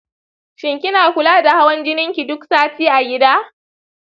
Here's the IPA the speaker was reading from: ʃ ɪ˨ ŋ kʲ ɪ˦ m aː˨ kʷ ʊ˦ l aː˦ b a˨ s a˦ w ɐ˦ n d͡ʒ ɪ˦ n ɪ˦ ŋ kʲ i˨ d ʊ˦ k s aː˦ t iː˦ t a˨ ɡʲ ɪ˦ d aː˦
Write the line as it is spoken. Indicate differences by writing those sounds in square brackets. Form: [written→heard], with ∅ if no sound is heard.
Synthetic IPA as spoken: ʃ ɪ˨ ŋ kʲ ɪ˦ [m→n] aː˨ kʷ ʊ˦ l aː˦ [b→d] a˨ [s→h] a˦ w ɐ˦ n d͡ʒ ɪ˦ n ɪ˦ ŋ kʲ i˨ d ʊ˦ k s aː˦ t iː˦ [t→ʔ] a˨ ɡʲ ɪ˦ d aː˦